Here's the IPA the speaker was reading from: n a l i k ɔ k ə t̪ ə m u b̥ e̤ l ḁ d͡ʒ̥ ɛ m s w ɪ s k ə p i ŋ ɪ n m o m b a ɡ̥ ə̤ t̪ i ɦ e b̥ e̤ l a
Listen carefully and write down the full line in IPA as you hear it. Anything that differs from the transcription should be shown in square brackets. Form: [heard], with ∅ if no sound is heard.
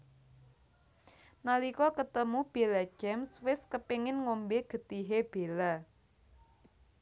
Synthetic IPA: n a l i k ɔ k ə t̪ ə m u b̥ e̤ l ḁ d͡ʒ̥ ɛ m s w ɪ s k ə p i ŋ ɪ n [ŋ] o m b [e] ɡ̥ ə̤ t̪ i ɦ e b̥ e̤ l a